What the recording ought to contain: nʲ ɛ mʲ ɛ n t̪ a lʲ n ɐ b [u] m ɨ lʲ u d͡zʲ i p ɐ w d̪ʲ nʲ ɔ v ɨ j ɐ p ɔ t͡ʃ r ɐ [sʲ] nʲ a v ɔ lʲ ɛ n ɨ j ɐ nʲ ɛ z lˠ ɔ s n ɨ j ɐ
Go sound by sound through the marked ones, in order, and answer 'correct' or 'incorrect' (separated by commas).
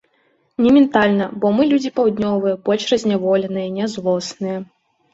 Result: incorrect, incorrect